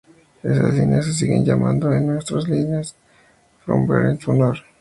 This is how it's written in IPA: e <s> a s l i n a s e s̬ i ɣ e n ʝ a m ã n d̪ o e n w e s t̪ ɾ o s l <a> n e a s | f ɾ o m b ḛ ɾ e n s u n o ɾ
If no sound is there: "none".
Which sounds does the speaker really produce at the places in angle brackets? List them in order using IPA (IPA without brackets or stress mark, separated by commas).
s, i